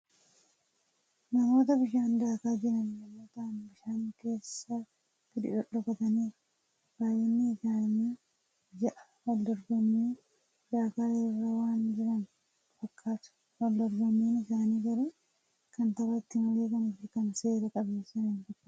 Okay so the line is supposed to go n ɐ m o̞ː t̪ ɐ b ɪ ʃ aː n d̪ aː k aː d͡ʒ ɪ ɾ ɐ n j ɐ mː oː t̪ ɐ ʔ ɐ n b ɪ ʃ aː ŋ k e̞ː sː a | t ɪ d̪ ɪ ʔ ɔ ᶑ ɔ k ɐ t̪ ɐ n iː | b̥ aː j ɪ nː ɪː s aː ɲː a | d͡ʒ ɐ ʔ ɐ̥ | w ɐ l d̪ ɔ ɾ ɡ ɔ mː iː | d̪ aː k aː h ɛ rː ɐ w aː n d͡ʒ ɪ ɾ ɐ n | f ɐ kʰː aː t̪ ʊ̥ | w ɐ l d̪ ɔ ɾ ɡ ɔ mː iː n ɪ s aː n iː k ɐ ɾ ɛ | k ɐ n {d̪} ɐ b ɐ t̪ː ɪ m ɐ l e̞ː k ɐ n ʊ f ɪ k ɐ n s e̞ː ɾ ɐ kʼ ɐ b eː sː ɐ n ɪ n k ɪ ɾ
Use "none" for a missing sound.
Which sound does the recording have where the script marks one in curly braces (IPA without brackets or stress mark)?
t̪